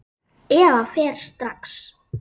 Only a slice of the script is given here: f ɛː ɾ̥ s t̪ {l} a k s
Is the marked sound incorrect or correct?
incorrect